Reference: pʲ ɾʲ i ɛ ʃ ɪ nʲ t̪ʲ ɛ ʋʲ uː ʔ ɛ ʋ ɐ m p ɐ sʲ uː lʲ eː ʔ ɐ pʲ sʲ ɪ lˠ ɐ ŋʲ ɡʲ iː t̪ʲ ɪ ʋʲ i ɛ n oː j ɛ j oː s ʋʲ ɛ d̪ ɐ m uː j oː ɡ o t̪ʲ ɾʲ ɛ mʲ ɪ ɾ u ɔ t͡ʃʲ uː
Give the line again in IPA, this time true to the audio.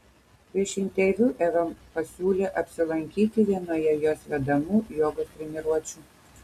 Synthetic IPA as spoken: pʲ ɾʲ i ɛ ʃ ɪ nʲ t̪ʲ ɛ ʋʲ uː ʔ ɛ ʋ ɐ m p ɐ sʲ uː lʲ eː ʔ ɐ pʲ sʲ ɪ lˠ ɐ ŋʲ kʲ iː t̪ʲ ɪ ʋʲ i ɛ n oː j ɛ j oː s ʋʲ ɛ d̪ ɐ m uː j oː ɡ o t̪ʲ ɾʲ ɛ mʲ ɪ ɾ u ɔ t͡ʃʲ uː